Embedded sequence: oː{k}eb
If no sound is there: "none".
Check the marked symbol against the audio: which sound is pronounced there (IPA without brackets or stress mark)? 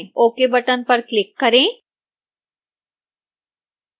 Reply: k